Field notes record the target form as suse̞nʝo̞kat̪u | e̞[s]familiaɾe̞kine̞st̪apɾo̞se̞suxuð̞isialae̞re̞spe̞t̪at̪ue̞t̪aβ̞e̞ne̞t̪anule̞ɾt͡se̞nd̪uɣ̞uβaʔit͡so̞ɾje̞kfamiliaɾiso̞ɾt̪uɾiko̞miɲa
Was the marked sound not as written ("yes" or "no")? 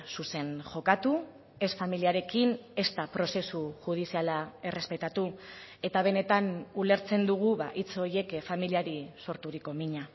no